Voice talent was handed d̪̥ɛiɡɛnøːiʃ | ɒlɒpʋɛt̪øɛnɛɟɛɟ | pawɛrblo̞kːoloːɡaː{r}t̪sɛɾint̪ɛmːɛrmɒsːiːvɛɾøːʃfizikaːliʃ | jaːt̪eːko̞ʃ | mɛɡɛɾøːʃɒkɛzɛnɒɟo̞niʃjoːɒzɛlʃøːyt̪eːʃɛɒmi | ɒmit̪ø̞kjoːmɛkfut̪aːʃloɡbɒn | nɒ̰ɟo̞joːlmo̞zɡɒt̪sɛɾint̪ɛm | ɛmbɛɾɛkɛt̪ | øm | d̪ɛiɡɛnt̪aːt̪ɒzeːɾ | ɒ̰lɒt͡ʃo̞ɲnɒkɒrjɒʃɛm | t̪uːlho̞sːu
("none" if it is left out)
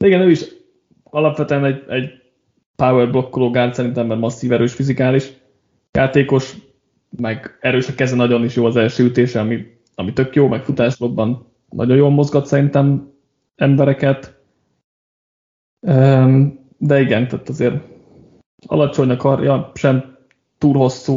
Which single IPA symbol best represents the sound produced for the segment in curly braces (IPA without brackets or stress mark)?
r